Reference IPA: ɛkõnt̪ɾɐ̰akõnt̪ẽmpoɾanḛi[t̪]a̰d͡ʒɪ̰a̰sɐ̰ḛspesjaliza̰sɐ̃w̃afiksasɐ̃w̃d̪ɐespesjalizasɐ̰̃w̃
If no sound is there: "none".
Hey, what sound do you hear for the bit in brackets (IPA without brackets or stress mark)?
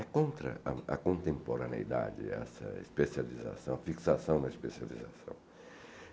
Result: d̪